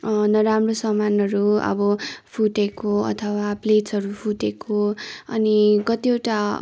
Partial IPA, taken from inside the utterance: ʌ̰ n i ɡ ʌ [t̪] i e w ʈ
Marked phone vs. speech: correct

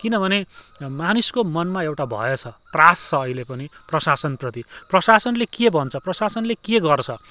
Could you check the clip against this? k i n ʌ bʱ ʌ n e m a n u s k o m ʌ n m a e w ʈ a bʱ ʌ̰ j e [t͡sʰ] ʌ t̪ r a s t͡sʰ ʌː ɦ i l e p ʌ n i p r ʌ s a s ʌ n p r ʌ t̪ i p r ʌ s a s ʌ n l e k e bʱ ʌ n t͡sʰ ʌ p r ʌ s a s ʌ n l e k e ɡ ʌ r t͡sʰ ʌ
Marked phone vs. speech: correct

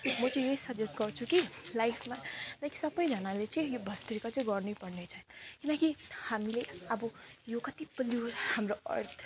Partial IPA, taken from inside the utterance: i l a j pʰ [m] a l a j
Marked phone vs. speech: correct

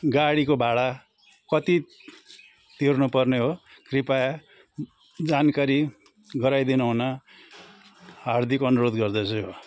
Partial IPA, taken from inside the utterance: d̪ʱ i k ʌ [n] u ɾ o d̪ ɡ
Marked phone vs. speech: correct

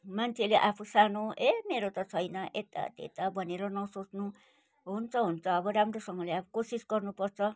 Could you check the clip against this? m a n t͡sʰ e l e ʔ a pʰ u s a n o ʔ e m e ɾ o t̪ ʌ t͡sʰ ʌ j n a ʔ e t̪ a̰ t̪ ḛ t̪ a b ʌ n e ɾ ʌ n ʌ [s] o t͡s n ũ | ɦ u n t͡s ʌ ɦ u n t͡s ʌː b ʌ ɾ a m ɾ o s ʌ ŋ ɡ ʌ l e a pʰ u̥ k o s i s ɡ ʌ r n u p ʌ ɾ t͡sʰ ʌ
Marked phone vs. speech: correct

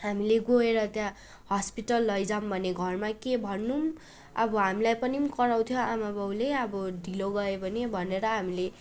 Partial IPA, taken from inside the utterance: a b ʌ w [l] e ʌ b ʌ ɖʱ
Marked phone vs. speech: correct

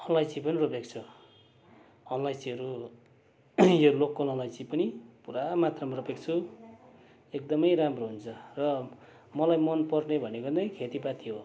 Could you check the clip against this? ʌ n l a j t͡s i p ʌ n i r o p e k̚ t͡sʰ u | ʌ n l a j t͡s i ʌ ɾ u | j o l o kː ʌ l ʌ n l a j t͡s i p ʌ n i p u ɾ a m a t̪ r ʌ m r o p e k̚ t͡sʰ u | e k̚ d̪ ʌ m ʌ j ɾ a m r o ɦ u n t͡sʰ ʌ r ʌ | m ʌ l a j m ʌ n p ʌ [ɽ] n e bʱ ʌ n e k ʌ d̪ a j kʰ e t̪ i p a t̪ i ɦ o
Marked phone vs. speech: incorrect: r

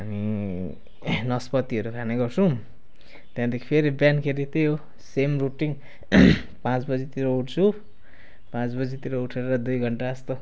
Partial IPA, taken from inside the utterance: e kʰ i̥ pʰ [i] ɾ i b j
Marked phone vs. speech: incorrect: e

